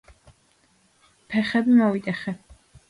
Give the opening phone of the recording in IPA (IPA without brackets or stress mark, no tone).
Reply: pʰ